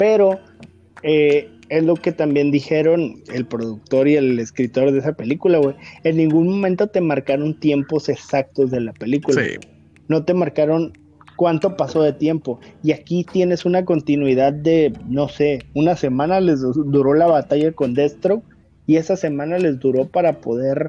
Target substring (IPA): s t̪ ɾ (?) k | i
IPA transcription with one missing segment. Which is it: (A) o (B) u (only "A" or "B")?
A